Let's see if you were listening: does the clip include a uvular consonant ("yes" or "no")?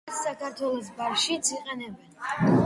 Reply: yes